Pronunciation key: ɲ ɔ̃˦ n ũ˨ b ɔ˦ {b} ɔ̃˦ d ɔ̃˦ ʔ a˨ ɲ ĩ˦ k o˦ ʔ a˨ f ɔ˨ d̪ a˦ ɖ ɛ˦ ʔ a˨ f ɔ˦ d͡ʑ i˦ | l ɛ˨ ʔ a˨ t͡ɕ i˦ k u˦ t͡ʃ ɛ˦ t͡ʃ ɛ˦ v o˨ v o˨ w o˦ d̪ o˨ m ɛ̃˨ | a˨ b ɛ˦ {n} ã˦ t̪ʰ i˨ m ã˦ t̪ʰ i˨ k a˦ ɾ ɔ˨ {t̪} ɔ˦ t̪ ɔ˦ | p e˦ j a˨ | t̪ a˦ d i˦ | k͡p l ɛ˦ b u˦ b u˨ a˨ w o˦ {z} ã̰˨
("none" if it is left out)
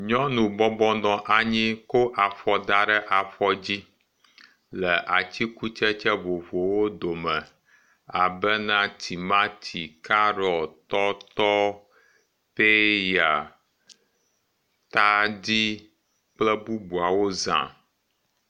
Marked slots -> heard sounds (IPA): b, n, t̪, z

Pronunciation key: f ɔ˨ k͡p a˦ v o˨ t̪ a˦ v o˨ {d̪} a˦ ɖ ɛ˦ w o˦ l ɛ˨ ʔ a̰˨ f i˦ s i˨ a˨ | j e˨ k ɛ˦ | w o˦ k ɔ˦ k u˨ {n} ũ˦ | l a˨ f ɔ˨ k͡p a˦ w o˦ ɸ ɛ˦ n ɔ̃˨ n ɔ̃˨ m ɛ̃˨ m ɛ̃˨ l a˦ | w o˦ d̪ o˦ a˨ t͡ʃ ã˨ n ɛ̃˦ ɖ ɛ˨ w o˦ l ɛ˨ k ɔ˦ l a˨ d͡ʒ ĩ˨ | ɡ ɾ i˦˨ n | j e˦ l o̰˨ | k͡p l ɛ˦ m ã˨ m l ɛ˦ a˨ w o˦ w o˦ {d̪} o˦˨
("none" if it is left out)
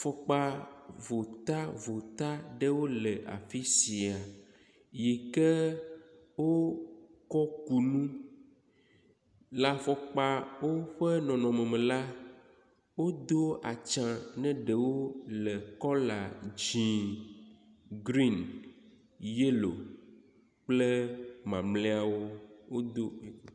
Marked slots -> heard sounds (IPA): t̪, n, d̪

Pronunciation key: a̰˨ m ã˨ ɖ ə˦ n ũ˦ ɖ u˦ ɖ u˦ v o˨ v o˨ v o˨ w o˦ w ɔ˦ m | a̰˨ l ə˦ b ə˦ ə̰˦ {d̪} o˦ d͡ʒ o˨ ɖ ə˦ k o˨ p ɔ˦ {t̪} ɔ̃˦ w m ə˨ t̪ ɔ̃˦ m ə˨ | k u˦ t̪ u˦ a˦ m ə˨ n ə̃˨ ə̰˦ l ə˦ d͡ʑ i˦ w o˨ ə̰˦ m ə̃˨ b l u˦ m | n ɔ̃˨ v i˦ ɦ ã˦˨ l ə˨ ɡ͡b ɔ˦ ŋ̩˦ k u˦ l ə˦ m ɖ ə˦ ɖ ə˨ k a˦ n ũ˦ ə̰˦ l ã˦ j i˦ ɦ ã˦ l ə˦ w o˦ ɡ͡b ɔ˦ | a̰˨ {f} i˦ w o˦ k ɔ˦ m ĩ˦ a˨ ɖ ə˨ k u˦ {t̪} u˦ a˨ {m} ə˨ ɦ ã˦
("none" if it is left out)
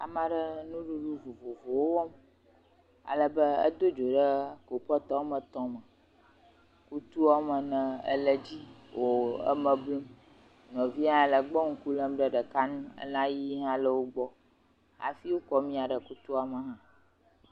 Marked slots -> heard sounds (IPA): d̪, t̪, f, t̪, m

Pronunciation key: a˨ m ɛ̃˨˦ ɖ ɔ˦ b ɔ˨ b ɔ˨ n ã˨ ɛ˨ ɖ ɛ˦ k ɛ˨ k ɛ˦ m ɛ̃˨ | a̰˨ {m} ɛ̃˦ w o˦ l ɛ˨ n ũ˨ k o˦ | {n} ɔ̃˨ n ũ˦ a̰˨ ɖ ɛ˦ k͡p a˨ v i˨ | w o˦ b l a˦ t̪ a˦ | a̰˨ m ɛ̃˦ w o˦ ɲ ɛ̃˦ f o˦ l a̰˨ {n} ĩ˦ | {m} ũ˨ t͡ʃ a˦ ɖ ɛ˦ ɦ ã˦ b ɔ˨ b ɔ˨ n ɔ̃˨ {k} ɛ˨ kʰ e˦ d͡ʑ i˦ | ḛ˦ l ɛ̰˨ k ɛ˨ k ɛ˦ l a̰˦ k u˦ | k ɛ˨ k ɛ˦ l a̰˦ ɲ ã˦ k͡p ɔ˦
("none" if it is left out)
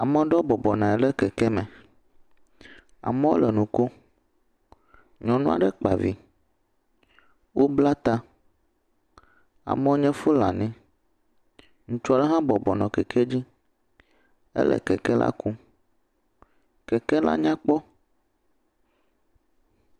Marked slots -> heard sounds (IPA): m, ɲ, n, ŋ, k

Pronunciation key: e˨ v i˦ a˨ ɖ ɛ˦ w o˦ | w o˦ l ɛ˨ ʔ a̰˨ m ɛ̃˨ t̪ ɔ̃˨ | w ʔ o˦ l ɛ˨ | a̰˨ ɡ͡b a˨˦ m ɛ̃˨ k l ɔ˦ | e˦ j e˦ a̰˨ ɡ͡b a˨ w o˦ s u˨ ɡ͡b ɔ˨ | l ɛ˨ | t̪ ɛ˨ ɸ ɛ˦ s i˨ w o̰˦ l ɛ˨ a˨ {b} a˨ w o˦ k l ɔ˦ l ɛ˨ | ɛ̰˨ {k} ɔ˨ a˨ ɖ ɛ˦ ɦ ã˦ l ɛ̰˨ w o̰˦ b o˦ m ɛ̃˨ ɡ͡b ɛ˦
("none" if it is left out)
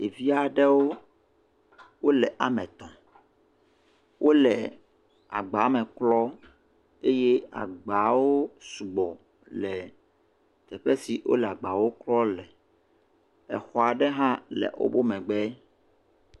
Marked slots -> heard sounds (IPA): ɡ͡b, x

